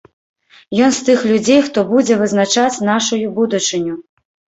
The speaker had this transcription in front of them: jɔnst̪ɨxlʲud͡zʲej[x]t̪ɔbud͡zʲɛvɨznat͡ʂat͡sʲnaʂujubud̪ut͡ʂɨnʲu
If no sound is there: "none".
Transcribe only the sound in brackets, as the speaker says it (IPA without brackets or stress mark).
x